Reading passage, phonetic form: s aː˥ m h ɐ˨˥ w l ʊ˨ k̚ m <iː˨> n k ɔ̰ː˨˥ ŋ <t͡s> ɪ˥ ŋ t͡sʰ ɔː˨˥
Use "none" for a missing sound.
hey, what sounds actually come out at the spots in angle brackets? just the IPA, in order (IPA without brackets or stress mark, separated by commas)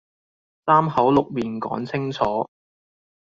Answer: iː˨, t͡sʰ